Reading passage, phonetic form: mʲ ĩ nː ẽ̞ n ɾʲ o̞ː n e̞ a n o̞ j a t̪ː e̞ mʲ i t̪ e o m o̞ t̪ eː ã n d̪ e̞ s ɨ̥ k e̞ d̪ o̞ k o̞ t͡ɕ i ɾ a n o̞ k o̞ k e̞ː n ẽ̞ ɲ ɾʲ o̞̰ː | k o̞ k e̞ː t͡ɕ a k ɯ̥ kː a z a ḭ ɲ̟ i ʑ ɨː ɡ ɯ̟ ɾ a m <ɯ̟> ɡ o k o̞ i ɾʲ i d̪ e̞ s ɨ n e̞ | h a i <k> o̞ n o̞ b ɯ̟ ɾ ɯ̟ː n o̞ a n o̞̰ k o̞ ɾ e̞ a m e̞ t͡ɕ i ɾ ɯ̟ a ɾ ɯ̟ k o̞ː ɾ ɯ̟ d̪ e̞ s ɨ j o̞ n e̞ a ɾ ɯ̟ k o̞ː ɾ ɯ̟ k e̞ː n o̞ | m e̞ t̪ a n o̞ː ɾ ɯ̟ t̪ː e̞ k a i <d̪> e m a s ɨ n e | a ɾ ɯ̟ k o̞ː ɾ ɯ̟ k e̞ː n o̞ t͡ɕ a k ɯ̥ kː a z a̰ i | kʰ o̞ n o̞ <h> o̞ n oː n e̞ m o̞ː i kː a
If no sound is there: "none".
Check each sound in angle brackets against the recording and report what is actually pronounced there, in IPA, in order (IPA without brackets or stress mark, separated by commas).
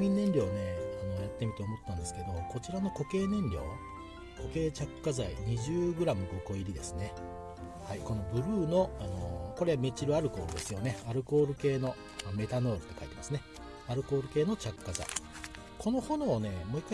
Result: ɯ̟, k, t̪, h